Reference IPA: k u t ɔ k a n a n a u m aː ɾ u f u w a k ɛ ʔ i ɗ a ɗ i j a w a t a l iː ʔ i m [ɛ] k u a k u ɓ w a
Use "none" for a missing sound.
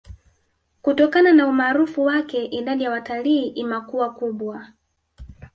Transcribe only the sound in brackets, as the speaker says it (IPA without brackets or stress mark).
a